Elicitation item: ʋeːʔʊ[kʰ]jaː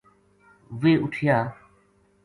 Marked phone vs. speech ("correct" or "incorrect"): incorrect